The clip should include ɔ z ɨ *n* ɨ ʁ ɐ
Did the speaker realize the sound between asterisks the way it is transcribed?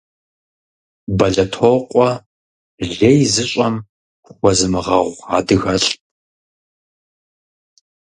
no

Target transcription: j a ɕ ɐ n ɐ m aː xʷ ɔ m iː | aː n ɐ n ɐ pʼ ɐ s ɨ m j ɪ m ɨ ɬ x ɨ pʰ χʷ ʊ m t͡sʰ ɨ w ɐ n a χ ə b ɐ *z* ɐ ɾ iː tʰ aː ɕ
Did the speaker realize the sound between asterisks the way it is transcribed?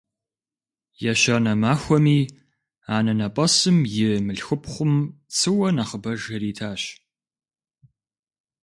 no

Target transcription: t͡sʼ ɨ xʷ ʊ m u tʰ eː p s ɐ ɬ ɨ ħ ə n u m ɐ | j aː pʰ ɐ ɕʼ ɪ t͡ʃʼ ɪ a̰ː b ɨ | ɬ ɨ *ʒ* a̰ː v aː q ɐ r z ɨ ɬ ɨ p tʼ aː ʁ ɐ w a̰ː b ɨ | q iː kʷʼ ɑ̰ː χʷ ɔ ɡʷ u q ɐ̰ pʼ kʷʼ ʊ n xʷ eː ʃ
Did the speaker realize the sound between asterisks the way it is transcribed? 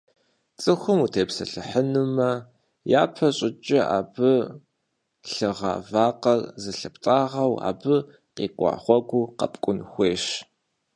no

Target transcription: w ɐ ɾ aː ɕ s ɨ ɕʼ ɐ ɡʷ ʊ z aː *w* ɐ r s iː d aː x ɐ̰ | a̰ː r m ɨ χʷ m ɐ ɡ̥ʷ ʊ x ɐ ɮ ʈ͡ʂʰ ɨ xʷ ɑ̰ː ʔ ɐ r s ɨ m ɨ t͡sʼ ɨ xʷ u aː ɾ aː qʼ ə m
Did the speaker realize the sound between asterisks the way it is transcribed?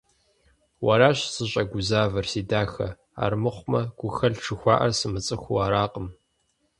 no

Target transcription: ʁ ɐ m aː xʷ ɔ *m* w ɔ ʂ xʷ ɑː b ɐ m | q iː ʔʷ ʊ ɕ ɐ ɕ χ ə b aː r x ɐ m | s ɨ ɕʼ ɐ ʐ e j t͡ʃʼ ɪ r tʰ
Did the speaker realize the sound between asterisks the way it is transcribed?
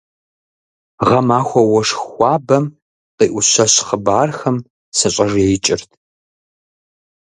no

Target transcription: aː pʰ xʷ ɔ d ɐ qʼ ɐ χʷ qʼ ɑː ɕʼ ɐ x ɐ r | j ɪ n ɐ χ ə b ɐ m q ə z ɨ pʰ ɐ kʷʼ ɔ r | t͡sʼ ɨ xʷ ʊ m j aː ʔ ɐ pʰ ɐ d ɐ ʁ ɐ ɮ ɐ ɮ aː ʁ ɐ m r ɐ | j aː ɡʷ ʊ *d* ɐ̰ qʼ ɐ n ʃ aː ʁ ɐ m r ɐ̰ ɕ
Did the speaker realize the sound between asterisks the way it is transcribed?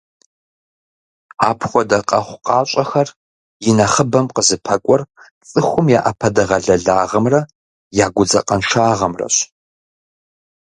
no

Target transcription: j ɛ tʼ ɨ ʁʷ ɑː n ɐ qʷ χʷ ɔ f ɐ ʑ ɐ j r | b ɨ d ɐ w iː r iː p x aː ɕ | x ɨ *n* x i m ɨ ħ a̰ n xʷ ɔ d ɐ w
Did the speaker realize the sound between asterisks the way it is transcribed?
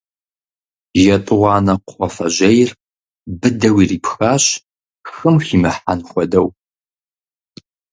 no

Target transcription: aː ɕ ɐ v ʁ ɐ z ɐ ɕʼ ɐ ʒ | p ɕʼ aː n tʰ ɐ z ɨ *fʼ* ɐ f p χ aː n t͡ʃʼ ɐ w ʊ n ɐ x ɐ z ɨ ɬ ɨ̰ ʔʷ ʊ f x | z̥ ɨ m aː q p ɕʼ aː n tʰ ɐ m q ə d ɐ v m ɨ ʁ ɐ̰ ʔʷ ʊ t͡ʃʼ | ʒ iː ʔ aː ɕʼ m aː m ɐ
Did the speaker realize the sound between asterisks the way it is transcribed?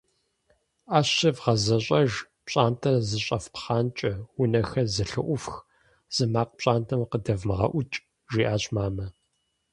no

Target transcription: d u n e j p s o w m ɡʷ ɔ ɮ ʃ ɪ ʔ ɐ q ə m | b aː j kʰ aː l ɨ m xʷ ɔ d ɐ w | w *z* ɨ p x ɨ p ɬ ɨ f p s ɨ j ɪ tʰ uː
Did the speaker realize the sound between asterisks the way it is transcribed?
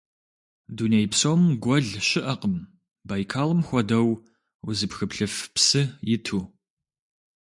yes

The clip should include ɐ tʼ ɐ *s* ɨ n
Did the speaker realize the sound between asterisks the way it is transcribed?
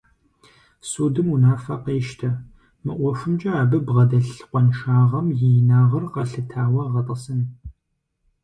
yes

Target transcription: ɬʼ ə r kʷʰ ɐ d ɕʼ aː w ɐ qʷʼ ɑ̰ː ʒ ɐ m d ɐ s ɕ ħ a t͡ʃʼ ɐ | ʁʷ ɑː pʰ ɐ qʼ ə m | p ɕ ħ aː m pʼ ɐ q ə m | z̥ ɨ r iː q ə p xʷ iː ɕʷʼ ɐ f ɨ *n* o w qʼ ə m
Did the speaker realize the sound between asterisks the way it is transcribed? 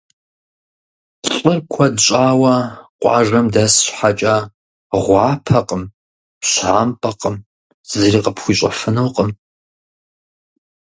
yes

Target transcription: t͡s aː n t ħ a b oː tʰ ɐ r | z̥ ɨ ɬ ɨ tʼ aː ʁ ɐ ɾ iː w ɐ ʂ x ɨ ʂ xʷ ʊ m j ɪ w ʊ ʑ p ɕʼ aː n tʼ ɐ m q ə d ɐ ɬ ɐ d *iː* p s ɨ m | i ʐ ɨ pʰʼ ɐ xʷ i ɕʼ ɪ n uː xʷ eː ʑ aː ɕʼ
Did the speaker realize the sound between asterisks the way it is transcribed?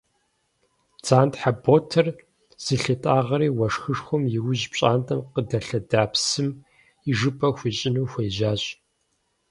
no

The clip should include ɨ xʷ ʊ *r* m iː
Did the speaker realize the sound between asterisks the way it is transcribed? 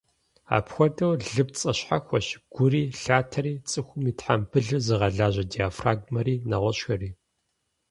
no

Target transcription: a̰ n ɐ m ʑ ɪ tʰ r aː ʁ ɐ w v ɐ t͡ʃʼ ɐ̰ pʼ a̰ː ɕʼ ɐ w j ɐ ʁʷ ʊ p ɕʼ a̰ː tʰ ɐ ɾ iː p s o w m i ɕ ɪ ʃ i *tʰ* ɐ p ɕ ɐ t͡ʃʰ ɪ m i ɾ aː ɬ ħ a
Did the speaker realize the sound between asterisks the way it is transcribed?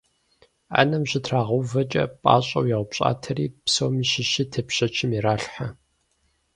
yes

